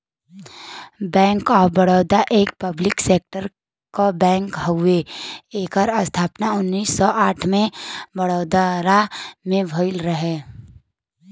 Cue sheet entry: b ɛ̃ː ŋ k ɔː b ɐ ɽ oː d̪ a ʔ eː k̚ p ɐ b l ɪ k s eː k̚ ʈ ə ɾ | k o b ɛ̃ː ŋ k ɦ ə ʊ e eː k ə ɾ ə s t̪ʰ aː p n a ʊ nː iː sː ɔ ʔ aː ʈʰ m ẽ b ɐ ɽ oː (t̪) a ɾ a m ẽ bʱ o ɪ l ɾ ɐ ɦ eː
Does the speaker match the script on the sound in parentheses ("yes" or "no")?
no